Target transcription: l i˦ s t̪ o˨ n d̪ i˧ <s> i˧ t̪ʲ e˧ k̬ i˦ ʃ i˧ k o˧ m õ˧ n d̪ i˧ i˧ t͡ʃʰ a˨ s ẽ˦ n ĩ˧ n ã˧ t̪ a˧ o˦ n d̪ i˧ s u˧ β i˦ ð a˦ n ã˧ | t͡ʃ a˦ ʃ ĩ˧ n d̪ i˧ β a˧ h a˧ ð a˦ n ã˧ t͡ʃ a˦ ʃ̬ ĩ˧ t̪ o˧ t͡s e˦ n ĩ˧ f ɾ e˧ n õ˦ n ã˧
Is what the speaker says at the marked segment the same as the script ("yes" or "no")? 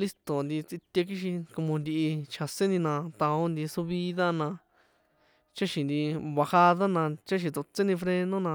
no